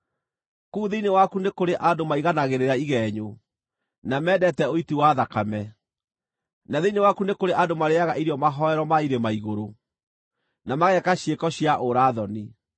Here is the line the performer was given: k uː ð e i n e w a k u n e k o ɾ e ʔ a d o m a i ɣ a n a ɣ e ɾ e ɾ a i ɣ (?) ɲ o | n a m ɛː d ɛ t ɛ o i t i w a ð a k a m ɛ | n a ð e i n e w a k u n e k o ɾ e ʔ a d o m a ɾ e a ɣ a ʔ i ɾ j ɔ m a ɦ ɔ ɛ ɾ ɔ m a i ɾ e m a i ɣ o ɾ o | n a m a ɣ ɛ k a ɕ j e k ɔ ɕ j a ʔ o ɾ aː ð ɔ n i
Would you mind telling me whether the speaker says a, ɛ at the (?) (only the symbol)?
ɛ